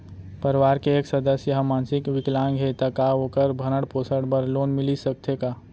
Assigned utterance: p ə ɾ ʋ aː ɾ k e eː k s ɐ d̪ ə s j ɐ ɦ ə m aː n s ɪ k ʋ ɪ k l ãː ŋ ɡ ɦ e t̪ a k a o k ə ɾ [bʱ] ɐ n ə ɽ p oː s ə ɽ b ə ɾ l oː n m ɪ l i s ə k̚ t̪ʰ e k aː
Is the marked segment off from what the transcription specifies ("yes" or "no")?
no